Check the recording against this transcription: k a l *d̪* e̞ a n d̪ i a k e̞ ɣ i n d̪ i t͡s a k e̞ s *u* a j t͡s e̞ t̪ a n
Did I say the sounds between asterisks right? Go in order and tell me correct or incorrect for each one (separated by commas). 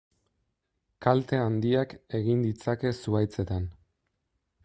incorrect, correct